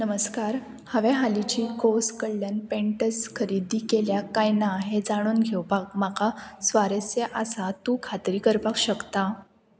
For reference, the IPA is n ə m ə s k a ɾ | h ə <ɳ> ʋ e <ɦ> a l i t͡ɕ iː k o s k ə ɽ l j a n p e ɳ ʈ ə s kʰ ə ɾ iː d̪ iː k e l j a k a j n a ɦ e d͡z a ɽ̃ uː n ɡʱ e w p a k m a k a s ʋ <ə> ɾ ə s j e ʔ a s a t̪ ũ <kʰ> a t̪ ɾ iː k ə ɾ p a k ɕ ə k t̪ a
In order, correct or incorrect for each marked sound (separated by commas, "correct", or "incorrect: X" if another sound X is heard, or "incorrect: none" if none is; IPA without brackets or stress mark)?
incorrect: none, correct, incorrect: a, correct